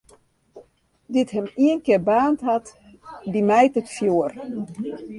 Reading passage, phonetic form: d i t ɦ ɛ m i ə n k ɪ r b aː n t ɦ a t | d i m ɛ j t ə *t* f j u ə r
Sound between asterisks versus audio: correct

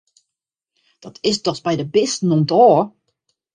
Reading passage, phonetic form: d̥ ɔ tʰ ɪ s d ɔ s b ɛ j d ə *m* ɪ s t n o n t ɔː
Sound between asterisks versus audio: incorrect: b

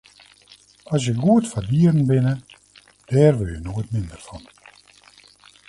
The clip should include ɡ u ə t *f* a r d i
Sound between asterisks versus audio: correct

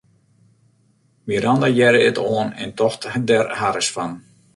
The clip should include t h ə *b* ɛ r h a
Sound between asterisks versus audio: incorrect: d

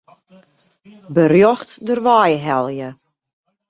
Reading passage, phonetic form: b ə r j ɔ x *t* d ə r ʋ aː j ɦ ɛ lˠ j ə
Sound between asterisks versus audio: correct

